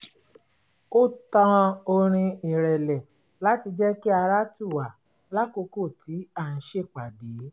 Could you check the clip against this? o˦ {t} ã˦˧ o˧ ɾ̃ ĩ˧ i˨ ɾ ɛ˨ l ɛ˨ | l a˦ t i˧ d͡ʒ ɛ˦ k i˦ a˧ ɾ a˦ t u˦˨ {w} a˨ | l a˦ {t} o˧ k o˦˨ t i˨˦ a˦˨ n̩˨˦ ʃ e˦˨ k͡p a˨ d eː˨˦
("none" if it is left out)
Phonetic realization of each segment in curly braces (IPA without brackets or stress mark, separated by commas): t, w, k